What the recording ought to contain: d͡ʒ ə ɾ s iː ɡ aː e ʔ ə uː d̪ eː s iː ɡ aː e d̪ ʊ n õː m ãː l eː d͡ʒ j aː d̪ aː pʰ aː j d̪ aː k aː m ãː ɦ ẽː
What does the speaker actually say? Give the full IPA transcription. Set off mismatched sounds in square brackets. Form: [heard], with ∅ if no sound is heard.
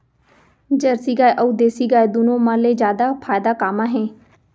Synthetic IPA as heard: d͡ʒ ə ɾ s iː ɡ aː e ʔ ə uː d̪ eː s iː ɡ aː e d̪ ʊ n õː m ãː l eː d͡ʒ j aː d̪ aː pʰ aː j d̪ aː k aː m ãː ɦ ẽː